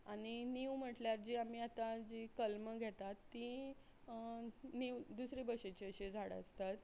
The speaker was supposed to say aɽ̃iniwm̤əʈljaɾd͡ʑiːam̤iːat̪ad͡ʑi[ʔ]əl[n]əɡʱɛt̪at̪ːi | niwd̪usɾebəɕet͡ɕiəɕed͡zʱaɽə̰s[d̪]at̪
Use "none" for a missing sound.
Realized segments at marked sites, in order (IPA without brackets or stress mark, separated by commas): k, m, t̪